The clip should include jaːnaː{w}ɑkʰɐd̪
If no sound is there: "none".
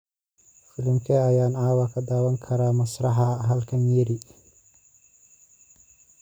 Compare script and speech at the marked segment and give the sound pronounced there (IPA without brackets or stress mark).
w